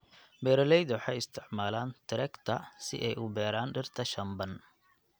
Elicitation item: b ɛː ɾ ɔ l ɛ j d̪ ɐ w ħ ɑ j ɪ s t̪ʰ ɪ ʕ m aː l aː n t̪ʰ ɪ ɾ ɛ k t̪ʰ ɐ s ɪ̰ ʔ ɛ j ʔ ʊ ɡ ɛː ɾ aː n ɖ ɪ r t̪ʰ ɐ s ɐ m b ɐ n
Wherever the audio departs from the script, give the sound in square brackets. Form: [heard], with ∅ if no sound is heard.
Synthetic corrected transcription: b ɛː ɾ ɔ l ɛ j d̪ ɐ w ħ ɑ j ɪ s t̪ʰ ɪ ʕ m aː l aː n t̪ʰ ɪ ɾ ɛ k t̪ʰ ɐ s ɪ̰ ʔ ɛ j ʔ ʊ [b] ɛː ɾ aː n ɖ ɪ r t̪ʰ ɐ [ʃ] ɐ m b ɐ n